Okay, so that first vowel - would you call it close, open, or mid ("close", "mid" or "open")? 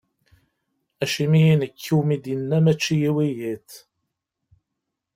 open